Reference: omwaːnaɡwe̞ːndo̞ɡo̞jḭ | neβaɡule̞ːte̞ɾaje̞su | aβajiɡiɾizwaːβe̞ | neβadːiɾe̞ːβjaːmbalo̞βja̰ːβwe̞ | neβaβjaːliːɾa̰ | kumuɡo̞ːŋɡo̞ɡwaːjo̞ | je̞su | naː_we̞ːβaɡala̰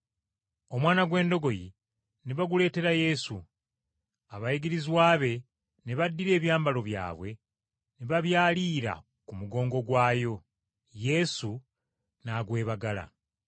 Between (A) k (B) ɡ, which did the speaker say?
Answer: B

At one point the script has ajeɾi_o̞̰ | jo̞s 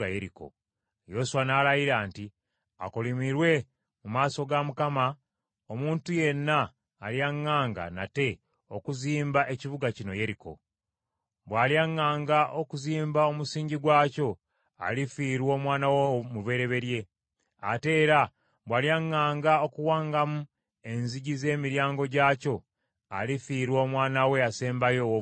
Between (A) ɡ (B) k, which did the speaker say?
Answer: B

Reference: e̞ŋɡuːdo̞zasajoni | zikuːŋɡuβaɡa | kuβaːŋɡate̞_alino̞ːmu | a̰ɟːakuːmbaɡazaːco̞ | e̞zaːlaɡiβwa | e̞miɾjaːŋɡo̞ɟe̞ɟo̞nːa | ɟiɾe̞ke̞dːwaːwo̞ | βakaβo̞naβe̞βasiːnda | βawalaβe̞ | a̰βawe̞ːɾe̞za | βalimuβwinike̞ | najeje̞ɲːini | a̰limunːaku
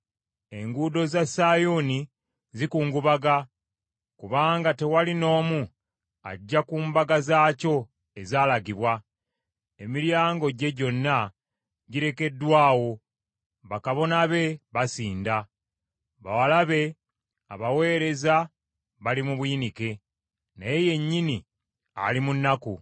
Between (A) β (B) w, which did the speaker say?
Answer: B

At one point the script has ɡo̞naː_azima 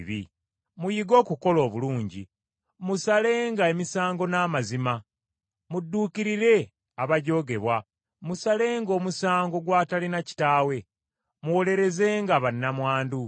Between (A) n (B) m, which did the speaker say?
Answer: B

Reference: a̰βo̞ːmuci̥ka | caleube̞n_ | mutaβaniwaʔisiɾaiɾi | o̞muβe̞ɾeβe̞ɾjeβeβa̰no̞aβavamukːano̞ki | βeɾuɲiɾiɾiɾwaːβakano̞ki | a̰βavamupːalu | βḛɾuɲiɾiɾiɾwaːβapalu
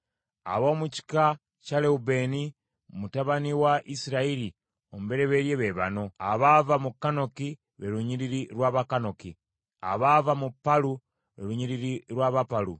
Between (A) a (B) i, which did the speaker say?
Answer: B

